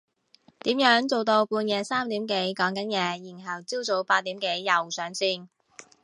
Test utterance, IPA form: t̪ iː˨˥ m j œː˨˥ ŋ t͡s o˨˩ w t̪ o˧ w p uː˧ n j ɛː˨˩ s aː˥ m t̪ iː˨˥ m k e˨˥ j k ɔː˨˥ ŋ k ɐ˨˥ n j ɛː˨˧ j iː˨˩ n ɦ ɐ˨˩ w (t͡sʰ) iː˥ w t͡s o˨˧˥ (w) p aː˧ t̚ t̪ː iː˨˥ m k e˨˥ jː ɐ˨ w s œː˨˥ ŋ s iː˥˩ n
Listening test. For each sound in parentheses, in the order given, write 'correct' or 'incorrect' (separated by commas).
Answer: incorrect, correct